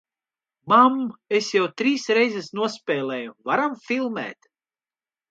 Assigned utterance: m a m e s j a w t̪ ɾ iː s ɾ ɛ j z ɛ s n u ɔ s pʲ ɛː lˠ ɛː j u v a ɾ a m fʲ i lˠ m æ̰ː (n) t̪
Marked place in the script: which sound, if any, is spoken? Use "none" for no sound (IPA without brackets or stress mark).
none